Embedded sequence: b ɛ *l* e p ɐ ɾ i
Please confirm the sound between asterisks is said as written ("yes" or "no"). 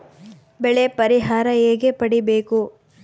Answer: no